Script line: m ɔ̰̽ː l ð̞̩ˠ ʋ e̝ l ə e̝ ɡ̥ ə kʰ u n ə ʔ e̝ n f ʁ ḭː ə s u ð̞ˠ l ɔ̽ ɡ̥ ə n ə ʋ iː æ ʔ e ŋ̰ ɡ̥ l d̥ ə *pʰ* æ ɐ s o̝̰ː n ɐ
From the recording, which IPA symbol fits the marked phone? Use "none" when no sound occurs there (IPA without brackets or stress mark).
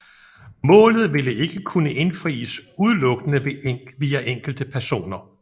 pʰ